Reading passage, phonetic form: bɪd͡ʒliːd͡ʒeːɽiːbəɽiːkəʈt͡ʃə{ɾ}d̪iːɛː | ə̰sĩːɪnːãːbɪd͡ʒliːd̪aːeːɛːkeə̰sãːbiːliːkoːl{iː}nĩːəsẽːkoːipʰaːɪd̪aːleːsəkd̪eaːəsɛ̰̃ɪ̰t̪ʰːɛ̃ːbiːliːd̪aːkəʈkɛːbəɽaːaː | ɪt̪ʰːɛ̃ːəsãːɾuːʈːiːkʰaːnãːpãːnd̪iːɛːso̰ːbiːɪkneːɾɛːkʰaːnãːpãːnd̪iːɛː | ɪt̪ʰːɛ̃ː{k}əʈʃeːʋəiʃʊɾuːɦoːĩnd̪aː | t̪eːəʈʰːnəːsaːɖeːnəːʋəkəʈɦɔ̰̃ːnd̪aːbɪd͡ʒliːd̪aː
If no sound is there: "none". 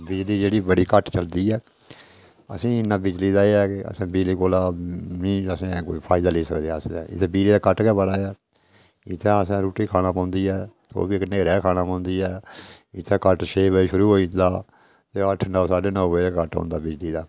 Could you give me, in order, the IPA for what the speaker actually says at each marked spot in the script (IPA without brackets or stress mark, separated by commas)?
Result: l, aː, k